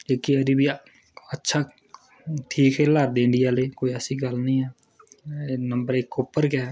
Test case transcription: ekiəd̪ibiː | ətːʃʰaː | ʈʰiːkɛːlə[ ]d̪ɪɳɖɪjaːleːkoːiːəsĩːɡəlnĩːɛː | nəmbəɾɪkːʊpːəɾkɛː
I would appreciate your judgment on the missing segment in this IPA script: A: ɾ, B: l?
A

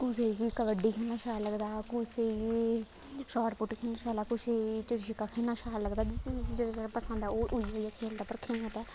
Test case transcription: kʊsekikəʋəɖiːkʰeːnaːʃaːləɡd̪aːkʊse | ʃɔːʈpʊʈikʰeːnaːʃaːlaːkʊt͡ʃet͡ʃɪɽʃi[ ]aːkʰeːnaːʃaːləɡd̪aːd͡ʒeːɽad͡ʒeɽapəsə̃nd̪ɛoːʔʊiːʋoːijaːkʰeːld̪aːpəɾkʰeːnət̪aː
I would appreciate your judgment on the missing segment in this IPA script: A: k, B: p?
A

